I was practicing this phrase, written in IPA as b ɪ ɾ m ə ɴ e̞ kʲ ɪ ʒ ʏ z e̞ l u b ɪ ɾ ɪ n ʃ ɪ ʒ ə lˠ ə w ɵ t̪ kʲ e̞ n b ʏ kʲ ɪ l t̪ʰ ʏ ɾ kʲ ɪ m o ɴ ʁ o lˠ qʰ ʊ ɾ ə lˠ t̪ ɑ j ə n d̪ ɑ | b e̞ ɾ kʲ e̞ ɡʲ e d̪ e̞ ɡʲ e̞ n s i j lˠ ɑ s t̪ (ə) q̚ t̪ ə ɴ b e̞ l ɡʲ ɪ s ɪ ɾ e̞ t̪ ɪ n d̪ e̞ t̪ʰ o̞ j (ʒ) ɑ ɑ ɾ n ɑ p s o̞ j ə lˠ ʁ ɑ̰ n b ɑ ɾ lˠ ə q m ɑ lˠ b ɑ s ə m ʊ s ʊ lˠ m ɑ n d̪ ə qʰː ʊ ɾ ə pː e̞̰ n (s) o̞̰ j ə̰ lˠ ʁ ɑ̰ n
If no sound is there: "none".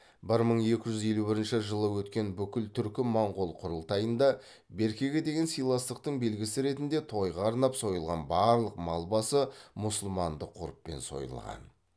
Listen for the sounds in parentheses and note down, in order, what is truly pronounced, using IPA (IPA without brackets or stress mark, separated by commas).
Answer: ə, ʁ, s